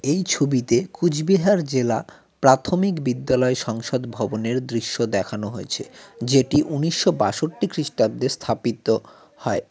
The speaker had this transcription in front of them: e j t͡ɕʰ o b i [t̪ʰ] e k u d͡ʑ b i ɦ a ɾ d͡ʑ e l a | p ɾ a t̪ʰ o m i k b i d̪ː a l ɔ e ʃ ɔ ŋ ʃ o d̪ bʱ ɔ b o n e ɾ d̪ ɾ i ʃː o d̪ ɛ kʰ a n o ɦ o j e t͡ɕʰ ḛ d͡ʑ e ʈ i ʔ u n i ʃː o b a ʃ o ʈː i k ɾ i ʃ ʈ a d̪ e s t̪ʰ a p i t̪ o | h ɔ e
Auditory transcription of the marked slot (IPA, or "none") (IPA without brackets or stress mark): t̪